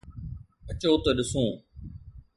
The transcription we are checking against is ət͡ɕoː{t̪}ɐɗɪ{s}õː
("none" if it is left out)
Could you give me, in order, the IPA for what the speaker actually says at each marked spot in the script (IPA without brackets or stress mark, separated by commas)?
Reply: t̪, s